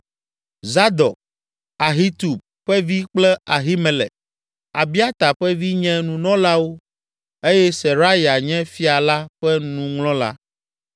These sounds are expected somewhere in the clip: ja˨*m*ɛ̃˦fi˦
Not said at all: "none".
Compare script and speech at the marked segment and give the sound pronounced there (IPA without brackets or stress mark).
ɲ